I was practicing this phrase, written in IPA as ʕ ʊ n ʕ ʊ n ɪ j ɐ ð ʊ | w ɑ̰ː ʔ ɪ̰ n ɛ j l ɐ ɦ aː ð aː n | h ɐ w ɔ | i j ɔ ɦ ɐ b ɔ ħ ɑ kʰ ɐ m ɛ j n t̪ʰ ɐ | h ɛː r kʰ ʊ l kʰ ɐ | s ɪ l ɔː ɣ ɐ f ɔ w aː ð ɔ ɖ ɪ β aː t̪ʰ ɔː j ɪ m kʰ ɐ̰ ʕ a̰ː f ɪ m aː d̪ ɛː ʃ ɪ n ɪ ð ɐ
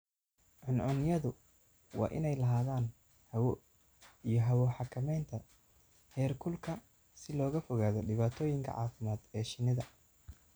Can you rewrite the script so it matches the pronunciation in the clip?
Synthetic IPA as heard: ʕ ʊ n ʕ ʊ n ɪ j ɐ ð ʊ | w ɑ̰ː ʔ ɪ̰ n ɛ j l ɐ ɦ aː ð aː n | h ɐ w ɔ | i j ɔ ɦ ɐ w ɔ ħ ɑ kʰ ɐ m ɛ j n t̪ʰ ɐ | h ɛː r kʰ ʊ l kʰ ɐ | s ɪ l ɔː ɣ ɐ f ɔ ɣ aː ð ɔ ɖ ɪ β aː t̪ʰ ɔː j ɪ ŋ kʰ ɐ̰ ʕ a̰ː f ɪ m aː d̪ ɛː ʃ ɪ n ɪ ð ɐ